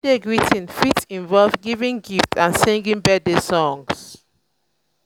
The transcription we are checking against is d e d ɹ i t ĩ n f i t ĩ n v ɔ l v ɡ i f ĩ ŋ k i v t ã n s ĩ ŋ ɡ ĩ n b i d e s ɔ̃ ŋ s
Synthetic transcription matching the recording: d e ɡ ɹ i t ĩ n f i t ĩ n v ɔ l v ɡ i v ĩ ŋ ɡ i f t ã n s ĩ ŋ ɡ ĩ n b ɛ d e s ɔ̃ ŋ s